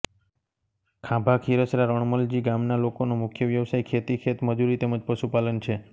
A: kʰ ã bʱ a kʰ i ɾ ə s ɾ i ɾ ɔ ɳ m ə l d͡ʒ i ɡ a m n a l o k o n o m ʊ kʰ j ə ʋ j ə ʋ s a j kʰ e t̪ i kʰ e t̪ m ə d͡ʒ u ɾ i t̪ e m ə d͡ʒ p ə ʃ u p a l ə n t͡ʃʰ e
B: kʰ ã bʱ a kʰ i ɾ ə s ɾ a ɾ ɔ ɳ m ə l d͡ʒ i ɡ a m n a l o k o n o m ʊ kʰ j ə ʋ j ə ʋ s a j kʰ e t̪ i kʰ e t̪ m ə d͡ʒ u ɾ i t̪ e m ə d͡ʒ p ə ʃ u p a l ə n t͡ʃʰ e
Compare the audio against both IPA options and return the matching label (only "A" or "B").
B